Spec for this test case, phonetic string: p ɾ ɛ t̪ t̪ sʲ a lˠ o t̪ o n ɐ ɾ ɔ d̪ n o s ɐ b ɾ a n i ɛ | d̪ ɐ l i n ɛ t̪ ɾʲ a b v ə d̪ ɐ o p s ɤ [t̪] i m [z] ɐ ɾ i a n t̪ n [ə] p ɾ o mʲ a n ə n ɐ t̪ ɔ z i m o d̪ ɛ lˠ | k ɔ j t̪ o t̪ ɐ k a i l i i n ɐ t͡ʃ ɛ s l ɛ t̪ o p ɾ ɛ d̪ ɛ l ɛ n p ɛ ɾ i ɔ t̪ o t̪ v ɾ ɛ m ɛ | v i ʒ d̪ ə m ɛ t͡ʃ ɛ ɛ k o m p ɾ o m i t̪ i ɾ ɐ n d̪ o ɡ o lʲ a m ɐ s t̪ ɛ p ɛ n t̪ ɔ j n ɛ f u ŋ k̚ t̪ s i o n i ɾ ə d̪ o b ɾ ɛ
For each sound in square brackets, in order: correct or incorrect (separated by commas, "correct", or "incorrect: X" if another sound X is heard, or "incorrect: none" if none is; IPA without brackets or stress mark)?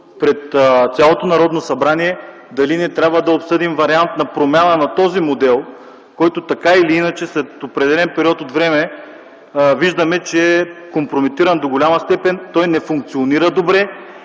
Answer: incorrect: d̪, incorrect: v, incorrect: ɐ